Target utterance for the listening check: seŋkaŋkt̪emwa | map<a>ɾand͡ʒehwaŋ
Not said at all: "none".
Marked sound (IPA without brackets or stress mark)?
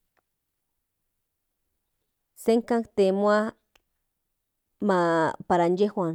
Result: a